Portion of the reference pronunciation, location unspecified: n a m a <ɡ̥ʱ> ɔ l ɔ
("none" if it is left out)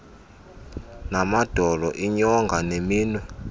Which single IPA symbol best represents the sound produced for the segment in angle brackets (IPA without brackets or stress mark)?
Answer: d̥ʱ